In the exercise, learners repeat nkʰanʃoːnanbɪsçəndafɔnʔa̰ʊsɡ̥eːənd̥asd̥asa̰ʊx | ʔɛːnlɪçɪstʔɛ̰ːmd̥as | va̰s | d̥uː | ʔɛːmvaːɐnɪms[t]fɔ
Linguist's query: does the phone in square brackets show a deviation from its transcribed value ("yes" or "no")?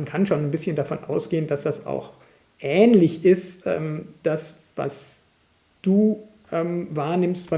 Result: no